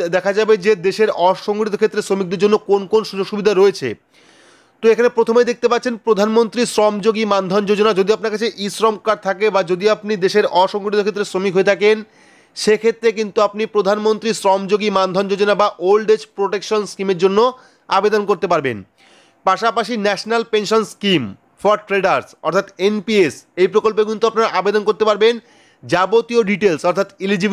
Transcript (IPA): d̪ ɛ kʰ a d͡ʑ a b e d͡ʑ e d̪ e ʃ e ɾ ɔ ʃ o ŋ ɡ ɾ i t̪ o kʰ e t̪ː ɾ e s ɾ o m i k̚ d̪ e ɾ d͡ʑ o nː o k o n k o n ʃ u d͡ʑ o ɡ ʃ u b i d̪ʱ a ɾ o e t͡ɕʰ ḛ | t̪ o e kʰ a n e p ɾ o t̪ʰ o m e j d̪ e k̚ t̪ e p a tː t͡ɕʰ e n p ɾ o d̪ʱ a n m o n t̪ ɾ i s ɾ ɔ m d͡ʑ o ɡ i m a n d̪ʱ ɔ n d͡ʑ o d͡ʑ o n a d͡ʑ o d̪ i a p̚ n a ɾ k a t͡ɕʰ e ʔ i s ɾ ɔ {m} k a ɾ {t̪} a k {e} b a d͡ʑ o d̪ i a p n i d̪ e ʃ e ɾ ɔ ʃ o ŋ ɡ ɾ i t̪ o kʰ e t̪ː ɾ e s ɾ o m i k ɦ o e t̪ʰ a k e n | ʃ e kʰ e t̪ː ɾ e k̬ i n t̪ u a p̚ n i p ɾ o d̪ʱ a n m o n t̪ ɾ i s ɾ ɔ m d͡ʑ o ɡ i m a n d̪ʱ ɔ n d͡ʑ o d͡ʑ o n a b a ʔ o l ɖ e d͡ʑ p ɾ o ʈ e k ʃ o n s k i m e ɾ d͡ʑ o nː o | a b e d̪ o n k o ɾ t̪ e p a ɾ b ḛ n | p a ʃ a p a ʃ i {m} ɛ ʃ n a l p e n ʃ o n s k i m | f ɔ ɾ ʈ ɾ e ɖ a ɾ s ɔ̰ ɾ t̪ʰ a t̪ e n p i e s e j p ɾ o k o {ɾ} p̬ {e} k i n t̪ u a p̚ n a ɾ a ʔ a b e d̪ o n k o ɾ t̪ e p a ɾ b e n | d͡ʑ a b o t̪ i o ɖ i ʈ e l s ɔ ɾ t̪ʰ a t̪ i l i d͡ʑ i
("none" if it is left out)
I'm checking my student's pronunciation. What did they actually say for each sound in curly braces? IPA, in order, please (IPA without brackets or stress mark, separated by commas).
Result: m, t̪ʰ, e, n, l, e